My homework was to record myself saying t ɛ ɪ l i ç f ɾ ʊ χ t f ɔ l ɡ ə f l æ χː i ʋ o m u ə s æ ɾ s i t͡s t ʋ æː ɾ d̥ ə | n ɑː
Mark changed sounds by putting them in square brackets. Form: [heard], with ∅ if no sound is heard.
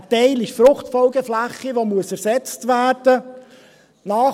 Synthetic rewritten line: t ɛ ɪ l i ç f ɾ ʊ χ t f ɔ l ɡ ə f l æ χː i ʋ o m u ə s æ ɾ s [ɛ] t͡s t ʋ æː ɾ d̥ ə | n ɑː